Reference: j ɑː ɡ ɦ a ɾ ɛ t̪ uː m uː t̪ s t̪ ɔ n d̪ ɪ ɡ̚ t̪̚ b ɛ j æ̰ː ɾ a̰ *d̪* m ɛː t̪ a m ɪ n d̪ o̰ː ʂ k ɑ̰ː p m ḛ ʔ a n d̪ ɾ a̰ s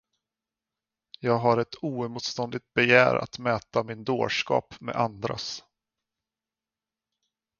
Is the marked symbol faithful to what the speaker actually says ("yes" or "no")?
no